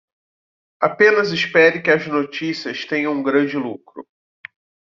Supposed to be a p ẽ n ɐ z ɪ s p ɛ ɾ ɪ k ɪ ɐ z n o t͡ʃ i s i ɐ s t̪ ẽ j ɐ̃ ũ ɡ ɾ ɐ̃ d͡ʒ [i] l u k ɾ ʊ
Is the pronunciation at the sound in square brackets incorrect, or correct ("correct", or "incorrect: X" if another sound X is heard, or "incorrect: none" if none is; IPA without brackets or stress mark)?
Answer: incorrect: ɪ